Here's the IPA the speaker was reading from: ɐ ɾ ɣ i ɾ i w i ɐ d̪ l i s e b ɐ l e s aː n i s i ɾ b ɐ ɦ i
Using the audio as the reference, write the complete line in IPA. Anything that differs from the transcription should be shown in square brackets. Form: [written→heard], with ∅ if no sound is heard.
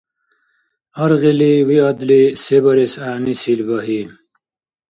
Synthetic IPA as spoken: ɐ ɾ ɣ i [ɾ→l] i w i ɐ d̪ l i s e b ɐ [l→ɾ] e s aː n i s i [ɾ→l] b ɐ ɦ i

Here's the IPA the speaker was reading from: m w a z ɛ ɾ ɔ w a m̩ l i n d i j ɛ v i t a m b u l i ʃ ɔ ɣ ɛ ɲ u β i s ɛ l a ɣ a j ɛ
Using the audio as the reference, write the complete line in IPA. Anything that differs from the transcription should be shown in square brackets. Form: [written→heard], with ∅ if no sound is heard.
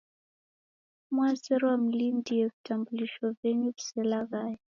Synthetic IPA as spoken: m w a z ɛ ɾ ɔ w a m̩ l i n d i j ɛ v i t a m b u l i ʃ ɔ [ɣ→v] ɛ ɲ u [β→v] i s ɛ l a ɣ a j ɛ

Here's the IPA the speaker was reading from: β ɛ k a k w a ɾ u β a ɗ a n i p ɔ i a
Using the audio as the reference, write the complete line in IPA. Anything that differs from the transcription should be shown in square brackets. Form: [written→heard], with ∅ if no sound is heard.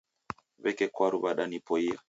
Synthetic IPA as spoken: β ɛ k [a→ɛ] k w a ɾ u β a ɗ a n i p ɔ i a

